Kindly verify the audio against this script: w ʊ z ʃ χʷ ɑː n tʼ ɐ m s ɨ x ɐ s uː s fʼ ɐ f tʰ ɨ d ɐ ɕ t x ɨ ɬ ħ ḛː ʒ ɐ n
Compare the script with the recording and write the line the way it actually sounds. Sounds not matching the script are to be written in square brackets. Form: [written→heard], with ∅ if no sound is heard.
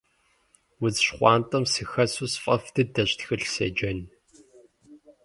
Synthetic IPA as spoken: w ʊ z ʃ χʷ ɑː n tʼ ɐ m s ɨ x ɐ s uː s fʼ ɐ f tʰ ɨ d ɐ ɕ t x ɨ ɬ [ħ→s] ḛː [ʒ→d͡ʒ] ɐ n